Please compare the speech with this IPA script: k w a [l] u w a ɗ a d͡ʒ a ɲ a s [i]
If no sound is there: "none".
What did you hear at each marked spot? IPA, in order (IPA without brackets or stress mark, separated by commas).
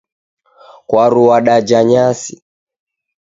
ɾ, i